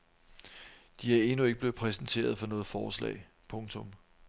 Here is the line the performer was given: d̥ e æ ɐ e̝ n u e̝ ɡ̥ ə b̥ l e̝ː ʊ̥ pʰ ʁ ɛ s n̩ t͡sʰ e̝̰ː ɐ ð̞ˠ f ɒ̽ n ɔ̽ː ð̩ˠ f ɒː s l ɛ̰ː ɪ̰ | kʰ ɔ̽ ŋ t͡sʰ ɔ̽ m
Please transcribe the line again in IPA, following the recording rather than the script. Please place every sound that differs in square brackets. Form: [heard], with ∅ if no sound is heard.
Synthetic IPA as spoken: d̥ [i] æ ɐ e̝ n u e̝ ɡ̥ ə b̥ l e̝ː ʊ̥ pʰ ʁ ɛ s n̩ t͡sʰ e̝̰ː ɐ ð̞ˠ f ɒ̽ n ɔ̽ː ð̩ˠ f ɒː s l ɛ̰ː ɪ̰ | [pʰ] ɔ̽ ŋ t͡sʰ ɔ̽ m